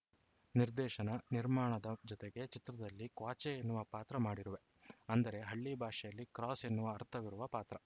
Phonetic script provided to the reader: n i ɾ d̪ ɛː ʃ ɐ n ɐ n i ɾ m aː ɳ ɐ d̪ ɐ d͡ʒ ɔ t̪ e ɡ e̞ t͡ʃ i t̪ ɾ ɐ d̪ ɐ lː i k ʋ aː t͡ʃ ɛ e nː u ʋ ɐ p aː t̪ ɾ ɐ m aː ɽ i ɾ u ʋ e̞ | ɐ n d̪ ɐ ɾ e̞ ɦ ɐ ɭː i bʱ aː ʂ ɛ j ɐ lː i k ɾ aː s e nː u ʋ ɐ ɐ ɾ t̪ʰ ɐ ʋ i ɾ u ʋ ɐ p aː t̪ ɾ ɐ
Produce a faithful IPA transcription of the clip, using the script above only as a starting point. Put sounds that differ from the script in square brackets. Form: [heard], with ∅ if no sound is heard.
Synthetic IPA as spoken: n i ɾ d̪ ɛː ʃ ɐ n ɐ n i ɾ m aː ɳ ɐ d̪ ɐ d͡ʒ ɔ t̪ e ɡ e̞ t͡ʃ i t̪ ɾ ɐ d̪ ɐ lː i k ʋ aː t͡ʃ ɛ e nː u ʋ ɐ p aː t̪ ɾ ɐ m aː ɽ i ɾ u ʋ e̞ | ɐ n d̪ ɐ ɾ e̞ ɦ ɐ ɭː i bʱ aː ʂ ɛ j ɐ lː i k ɾ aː s e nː u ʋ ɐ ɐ ɾ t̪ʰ ɐ ʋ i ɾ u ʋ ɐ p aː t̪ ɾ ɐ